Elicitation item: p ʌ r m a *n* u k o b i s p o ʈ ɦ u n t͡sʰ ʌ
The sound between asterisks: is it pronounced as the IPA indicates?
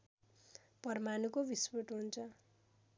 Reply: yes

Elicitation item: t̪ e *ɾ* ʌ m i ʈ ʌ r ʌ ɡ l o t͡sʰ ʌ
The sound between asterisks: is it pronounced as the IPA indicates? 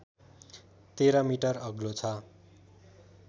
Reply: yes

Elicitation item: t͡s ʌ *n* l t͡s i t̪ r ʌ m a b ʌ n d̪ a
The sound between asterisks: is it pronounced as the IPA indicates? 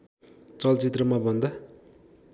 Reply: no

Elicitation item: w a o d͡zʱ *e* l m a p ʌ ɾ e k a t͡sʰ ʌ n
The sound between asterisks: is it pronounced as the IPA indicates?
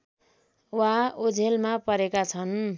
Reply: yes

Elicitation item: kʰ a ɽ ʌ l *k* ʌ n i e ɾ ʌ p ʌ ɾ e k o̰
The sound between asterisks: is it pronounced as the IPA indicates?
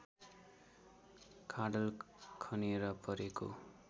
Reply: no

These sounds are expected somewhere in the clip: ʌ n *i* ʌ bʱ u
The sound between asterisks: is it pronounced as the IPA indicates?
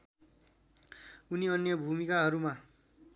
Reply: no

